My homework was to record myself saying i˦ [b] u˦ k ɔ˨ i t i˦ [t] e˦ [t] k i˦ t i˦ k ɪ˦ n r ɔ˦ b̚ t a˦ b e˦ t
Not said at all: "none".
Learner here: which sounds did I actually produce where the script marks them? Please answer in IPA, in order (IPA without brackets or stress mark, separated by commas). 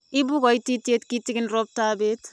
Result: b, t, t